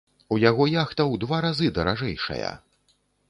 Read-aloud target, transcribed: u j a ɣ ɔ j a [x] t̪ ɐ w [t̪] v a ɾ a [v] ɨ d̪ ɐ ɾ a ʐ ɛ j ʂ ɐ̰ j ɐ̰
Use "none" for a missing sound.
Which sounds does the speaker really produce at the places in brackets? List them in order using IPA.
x, d̪, z

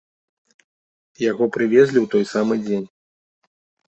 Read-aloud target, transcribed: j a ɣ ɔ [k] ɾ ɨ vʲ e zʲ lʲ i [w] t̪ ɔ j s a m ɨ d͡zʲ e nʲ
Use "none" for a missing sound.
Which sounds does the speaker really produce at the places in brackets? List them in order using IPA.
p, w

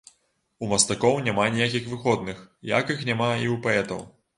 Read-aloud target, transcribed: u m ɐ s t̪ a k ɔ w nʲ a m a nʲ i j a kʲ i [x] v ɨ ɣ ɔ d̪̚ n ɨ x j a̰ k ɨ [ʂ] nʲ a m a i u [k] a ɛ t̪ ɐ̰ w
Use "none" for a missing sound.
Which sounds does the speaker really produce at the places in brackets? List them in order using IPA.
x, x, p

